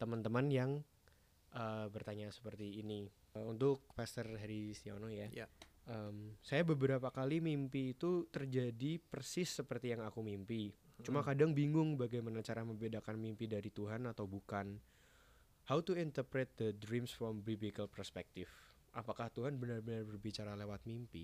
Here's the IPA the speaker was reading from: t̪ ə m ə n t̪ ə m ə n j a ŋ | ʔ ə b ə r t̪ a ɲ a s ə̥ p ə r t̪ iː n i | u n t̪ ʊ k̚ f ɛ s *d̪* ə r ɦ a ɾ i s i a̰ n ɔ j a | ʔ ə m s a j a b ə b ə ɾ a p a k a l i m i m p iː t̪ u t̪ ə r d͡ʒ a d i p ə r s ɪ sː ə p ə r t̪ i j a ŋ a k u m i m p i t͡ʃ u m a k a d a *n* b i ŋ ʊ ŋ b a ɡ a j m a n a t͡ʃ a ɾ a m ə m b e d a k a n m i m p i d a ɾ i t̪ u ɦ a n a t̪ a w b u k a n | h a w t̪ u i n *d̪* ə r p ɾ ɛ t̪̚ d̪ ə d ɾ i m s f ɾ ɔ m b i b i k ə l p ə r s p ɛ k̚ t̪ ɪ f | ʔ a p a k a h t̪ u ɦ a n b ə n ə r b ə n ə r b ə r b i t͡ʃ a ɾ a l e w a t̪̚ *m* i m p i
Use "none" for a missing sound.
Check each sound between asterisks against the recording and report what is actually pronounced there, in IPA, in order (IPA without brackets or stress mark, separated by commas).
t̪, ŋ, t̪, m